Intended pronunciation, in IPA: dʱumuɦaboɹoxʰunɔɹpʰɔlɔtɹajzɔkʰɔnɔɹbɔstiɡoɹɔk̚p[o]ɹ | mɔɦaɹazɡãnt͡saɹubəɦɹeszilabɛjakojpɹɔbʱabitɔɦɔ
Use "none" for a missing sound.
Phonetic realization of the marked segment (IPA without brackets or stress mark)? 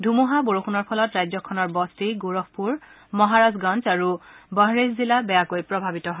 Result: u